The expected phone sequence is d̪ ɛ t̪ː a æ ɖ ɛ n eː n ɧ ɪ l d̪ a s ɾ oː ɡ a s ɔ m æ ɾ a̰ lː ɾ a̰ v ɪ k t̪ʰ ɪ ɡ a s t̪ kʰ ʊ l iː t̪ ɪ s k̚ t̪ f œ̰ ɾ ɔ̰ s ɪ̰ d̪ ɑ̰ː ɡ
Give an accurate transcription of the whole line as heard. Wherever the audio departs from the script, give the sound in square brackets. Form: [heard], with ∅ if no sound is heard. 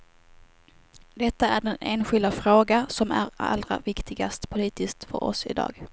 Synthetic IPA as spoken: d̪ ɛ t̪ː a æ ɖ ɛ n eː n ɧ ɪ l d̪ a [f] ɾ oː ɡ a s ɔ m æ ɾ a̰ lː ɾ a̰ v ɪ k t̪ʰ ɪ ɡ a s t̪ [pʰ] ʊ l iː t̪ ɪ s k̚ t̪ f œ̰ ɾ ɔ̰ s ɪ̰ d̪ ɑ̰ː ɡ